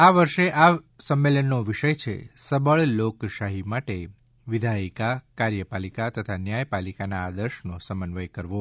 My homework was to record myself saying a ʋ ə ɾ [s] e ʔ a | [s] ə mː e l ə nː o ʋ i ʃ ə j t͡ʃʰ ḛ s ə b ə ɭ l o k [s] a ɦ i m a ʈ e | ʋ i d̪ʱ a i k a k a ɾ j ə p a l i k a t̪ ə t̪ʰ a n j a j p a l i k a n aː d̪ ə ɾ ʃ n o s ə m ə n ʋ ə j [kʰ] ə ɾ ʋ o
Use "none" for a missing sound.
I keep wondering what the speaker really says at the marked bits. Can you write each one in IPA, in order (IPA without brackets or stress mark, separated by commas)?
ʃ, s, ʃ, k